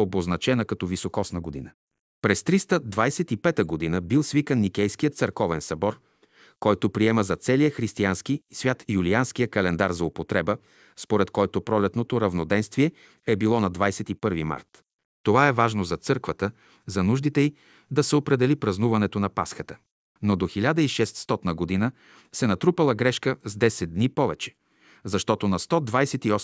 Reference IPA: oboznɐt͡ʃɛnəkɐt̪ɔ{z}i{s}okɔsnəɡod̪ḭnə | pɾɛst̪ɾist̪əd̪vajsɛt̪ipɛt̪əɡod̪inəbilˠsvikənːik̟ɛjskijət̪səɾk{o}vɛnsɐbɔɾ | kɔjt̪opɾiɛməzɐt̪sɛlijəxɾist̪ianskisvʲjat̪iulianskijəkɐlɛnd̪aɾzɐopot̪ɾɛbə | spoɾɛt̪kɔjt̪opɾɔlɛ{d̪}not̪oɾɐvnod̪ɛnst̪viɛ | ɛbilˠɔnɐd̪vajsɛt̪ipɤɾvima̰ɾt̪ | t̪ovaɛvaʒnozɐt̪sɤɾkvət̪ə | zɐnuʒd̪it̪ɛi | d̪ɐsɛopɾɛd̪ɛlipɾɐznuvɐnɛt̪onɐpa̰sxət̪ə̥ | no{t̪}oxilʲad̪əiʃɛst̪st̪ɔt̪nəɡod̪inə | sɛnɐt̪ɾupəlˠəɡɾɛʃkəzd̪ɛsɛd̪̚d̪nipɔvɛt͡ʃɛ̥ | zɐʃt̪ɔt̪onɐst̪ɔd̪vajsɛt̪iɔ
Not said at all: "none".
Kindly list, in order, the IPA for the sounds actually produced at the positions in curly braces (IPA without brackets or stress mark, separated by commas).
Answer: v, s, ɔ, t̪, d̪